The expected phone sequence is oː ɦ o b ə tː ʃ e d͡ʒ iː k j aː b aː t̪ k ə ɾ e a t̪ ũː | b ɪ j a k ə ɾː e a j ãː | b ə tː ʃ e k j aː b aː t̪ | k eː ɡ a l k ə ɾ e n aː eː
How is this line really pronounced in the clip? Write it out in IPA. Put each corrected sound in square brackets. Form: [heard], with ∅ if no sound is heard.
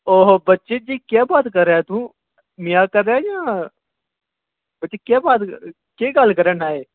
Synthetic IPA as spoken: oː ɦ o b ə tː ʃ e d͡ʒ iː k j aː b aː t̪ k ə ɾ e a t̪ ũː | [m] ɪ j a k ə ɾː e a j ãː | b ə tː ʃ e k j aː b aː t̪ | k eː ɡ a l k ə ɾ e n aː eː